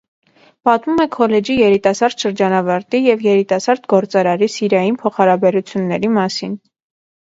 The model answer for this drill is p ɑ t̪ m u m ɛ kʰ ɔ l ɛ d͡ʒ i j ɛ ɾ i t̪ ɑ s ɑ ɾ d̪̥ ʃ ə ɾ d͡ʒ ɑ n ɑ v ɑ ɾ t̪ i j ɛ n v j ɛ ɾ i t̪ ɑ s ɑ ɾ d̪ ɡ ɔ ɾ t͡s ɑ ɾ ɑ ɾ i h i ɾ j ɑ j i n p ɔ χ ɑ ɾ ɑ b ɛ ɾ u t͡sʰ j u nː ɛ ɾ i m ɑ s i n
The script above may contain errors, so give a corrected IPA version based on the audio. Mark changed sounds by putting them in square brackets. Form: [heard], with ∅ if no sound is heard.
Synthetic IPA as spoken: p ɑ t̪ m u m ɛ kʰ ɔ l ɛ d͡ʒ i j ɛ ɾ i t̪ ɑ s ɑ ɾ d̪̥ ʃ ə ɾ d͡ʒ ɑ n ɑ v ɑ ɾ t̪ i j ɛ [∅] v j ɛ ɾ i t̪ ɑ s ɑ ɾ d̪ ɡ ɔ ɾ t͡s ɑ ɾ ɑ ɾ i [s] i ɾ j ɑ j i n [pʰ] ɔ χ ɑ ɾ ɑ b ɛ ɾ u t͡sʰ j u nː ɛ ɾ i m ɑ s i n